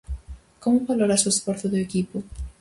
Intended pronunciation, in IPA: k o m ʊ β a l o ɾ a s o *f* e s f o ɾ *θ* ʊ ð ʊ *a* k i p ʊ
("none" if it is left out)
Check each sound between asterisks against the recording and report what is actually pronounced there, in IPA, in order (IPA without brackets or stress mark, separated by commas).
none, θ, e